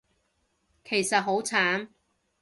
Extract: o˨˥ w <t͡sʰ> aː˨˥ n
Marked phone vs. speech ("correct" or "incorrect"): correct